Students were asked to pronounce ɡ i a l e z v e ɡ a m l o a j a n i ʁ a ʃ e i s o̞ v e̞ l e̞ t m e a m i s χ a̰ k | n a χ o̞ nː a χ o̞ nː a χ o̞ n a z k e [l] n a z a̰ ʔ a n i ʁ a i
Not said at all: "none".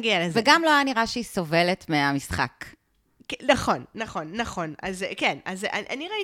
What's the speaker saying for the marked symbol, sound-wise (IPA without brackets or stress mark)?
none